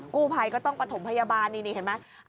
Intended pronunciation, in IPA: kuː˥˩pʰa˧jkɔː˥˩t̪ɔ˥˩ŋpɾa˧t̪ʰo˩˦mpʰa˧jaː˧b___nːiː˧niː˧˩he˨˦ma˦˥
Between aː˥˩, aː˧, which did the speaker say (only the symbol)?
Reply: aː˧